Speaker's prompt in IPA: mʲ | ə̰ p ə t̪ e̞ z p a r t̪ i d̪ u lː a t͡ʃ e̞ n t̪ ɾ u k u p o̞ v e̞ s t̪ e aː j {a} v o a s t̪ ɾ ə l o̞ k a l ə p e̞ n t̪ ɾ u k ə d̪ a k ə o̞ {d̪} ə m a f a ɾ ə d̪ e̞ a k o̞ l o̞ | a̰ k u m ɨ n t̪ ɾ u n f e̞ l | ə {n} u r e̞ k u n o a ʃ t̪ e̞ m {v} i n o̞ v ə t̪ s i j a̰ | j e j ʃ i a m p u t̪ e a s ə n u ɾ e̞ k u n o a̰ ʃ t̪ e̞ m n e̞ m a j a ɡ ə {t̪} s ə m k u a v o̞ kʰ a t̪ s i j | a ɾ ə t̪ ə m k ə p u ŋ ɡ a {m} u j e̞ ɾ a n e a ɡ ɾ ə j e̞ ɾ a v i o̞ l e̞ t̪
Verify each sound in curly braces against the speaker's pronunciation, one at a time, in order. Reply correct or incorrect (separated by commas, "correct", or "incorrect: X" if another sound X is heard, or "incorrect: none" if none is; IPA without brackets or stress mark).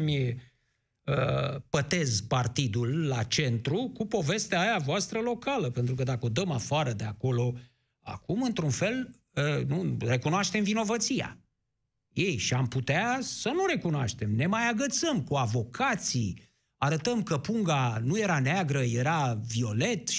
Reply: correct, correct, correct, correct, correct, incorrect: n